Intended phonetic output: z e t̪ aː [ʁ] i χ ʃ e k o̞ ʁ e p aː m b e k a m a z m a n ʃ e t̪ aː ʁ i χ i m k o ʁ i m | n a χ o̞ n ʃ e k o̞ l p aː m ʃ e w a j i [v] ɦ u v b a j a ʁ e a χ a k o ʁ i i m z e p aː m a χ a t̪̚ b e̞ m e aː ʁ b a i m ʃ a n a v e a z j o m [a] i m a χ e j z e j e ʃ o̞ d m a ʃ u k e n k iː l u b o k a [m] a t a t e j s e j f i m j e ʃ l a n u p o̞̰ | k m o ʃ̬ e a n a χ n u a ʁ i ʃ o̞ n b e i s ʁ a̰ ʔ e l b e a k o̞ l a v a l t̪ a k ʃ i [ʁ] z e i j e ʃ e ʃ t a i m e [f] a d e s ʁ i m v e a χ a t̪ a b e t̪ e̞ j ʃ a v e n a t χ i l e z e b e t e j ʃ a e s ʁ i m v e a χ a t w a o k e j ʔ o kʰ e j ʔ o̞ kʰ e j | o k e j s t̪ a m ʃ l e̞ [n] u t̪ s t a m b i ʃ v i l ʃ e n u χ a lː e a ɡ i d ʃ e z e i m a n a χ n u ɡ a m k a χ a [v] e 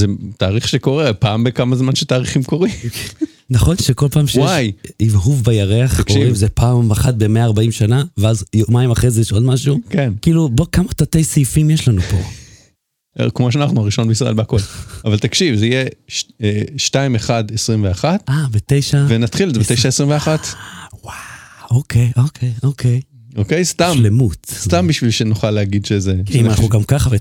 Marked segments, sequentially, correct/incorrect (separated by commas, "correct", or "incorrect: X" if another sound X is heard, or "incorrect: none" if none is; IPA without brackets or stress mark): correct, correct, correct, correct, incorrect: v, incorrect: χ, incorrect: m, correct